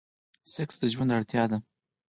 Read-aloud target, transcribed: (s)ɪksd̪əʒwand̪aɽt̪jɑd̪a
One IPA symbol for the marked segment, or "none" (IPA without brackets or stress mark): s